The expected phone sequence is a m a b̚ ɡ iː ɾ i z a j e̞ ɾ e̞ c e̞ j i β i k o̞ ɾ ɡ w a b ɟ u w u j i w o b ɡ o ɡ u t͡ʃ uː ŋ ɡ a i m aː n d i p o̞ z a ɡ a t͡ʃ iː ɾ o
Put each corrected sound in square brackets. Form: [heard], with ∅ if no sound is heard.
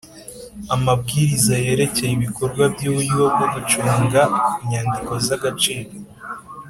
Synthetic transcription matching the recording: a m a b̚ ɡ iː ɾ i z a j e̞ ɾ e̞ c e̞ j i β i k o̞ ɾ ɡ w a b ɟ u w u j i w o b ɡ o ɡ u t͡ʃ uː ŋ ɡ a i [ɲ] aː n d i [k] o̞ z a ɡ a t͡ʃ iː ɾ o